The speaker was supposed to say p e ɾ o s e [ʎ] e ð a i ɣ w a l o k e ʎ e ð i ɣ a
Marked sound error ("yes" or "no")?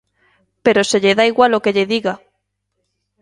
no